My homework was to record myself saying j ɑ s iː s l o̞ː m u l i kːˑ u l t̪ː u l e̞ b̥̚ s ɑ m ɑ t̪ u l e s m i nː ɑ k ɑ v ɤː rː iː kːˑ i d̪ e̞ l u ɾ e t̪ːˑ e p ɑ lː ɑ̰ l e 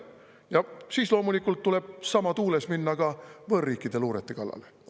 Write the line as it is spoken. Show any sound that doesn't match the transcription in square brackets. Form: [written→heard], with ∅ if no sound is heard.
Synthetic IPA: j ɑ s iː s l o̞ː m u l i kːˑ u l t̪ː u l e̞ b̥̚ s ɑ m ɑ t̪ [u→uː] l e s m i nː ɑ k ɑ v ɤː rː iː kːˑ i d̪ e̞ l [u→uː] ɾ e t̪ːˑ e [p→k] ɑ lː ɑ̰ l e